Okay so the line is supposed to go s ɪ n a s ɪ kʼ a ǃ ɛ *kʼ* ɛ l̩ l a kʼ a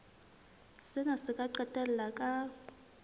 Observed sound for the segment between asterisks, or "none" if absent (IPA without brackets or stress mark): tʼ